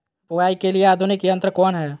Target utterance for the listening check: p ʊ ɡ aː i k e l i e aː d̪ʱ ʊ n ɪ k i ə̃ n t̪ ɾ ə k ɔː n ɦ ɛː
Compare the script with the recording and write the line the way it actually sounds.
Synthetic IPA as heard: p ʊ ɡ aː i k e l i e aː d̪ʱ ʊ n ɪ k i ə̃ n t̪ ɾ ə k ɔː n ɦ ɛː